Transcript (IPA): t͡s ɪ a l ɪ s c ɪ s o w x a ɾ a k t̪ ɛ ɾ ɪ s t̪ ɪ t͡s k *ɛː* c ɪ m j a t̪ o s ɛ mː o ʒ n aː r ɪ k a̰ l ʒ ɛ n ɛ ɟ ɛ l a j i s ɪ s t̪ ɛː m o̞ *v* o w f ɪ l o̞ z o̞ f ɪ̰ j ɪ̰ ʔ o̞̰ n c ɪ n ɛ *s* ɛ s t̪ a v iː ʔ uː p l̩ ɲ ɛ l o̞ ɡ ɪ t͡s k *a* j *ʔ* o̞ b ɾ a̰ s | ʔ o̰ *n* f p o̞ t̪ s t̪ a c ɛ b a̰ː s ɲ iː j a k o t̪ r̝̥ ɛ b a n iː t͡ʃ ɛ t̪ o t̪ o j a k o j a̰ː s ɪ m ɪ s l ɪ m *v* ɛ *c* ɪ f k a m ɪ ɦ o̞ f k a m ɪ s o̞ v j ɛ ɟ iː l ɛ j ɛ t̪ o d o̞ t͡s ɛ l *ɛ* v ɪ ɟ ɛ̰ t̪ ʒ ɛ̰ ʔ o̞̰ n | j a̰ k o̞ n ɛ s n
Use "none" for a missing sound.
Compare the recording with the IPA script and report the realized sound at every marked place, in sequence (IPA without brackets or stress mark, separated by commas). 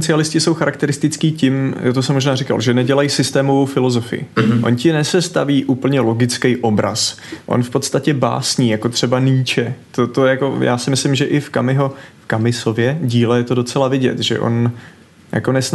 iː, v, s, ɛ, ʔ, n, ʒ, ʔ, a